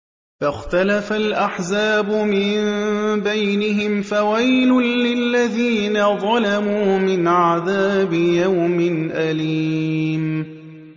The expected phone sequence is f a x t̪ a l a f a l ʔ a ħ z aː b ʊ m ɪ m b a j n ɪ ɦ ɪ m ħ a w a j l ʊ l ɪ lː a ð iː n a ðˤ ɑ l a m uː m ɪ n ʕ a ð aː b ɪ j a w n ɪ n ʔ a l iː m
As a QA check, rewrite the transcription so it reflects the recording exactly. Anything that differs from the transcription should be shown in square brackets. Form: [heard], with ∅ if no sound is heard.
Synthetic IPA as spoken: f a x t̪ a l a f a l ʔ a ħ z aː b ʊ m ɪ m b a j n ɪ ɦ ɪ m [f] a w a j l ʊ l ɪ lː a ð iː n a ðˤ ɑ l a m uː m ɪ n ʕ a ð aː b ɪ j a w [m] ɪ n ʔ a l iː m